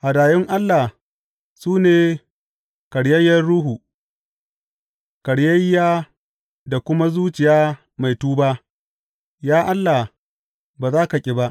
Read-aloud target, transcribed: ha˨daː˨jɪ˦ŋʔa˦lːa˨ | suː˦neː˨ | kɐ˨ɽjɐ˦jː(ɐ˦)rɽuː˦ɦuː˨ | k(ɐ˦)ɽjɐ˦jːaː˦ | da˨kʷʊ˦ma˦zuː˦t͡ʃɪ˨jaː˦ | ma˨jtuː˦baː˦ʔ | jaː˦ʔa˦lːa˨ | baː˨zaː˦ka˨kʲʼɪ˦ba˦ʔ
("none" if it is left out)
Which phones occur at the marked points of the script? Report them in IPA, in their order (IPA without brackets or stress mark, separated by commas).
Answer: ɐ˦, ɐ˨